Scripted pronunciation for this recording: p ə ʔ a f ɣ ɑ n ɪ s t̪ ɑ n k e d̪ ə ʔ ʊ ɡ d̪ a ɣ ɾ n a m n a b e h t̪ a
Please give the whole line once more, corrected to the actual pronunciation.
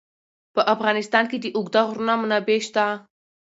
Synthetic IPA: p ə ʔ a f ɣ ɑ n ɪ s t̪ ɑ n k e d̪ ə ʔ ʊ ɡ d̪ a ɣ ɾ n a m n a b e ʃ t̪ a